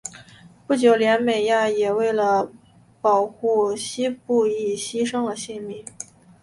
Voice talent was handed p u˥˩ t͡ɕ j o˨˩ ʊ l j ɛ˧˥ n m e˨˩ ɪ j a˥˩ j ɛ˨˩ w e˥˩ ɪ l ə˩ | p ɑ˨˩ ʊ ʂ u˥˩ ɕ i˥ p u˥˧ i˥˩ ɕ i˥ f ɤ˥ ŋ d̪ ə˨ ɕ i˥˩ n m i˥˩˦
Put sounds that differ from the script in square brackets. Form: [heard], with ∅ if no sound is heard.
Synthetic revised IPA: p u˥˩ t͡ɕ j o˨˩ ʊ l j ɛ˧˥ n m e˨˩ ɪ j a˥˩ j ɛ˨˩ w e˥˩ ɪ l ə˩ | p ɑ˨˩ ʊ [x] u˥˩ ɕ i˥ p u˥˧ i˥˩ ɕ i˥ [ʂ] ɤ˥ ŋ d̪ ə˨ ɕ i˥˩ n m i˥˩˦